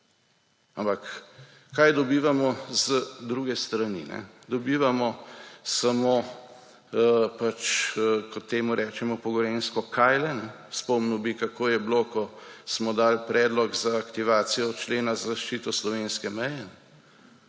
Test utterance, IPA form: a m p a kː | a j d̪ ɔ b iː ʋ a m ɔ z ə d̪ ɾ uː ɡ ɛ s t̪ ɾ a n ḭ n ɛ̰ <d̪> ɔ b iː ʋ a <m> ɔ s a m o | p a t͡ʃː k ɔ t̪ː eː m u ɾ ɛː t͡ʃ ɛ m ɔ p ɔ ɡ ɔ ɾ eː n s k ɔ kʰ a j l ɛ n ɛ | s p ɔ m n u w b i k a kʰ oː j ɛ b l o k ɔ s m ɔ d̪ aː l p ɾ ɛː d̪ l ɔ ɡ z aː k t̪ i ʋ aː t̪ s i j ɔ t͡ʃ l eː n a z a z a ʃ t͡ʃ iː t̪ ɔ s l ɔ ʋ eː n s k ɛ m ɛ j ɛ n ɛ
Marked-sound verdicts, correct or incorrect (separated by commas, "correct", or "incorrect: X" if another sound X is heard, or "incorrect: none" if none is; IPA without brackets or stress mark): correct, correct